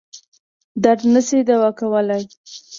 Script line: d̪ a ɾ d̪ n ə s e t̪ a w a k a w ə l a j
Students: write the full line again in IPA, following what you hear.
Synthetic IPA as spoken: d̪ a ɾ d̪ n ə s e d̪ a w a k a w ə l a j

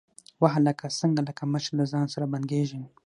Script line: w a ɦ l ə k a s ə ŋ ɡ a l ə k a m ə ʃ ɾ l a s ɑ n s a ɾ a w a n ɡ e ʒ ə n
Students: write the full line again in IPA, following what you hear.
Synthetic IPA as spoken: w a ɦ l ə k a s ə ŋ ɡ a l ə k a m ə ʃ ɾ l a z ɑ n s a ɾ a b a n ɡ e ʒ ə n

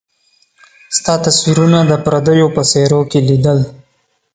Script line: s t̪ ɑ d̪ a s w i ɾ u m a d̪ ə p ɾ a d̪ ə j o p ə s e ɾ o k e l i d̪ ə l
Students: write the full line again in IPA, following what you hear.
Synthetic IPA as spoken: s t̪ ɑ t̪ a s w i ɾ u n a d̪ ə p ɾ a d̪ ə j o p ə s e ɾ o k e l i d̪ ə l

